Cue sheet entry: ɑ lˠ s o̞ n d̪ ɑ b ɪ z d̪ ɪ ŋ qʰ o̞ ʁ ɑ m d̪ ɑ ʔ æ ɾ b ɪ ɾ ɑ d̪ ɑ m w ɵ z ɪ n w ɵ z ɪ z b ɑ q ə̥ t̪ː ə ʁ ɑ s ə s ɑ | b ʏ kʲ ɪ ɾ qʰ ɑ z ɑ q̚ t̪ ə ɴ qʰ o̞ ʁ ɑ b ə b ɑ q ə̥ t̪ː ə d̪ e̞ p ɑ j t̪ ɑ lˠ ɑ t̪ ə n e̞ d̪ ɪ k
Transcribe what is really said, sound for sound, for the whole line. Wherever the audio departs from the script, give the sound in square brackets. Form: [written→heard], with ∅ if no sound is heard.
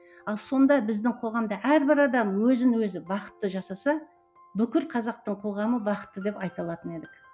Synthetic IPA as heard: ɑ lˠ s o̞ n d̪ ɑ b ɪ z d̪ ɪ ŋ qʰ o̞ ʁ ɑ m d̪ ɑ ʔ æ ɾ b ɪ ɾ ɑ d̪ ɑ m w ɵ z ɪ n w ɵ z ɪ [z→∅] b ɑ q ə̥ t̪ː ə [ʁ→ʒ] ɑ s [ə→ɑ] s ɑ | b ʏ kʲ ɪ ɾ qʰ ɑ z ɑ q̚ t̪ ə ɴ qʰ o̞ ʁ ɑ [b→m] ə b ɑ q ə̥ t̪ː ə d̪ e̞ p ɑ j t̪ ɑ lˠ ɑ t̪ ə n e̞ d̪ ɪ k